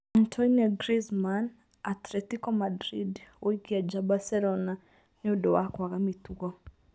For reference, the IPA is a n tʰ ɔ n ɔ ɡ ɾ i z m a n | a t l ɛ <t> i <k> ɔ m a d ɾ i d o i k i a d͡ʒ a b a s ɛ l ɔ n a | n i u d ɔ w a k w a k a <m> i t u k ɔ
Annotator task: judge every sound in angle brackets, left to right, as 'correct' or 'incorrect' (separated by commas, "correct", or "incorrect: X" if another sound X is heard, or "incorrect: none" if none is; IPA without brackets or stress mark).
correct, correct, correct